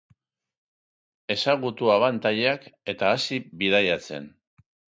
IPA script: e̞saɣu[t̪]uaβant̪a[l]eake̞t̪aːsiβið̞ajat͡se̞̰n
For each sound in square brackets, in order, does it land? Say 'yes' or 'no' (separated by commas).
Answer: yes, no